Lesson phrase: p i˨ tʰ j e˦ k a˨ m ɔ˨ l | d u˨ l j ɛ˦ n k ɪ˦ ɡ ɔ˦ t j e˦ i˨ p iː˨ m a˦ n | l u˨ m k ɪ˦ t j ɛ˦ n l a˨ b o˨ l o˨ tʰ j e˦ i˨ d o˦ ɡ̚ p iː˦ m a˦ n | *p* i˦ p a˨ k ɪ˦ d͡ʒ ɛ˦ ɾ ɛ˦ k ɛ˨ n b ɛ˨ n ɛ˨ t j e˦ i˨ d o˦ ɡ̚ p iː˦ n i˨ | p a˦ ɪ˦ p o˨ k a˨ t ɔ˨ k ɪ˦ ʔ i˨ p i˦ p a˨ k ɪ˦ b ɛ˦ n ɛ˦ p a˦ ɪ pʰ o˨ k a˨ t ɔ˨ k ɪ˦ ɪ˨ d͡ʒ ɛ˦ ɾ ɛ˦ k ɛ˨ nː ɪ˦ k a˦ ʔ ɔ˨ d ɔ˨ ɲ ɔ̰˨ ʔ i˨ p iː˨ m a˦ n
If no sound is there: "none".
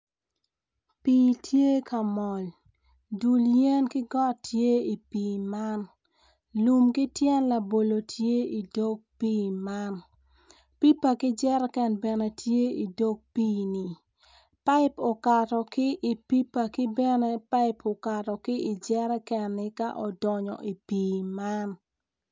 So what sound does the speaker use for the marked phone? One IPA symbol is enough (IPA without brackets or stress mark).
p